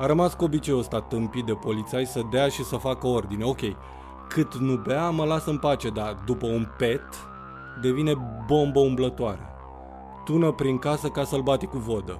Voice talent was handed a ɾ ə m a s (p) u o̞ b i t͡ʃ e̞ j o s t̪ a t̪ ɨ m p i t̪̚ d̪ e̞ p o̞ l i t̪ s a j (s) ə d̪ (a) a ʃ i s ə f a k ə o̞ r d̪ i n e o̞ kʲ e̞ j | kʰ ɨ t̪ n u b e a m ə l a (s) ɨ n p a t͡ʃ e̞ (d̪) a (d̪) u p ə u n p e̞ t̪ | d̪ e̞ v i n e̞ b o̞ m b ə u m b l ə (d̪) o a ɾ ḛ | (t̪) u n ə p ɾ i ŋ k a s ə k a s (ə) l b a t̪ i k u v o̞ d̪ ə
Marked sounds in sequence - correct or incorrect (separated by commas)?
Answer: incorrect, correct, incorrect, correct, correct, correct, incorrect, correct, correct